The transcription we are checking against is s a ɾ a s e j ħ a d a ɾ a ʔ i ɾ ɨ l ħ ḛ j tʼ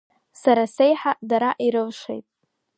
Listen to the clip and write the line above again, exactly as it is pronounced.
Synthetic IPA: s a ɾ a s e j ħ a d a ɾ a ʔ i ɾ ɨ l ʂ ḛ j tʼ